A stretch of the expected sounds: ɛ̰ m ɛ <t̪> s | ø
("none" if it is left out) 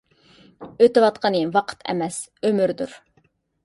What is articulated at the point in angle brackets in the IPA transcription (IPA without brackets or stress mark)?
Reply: none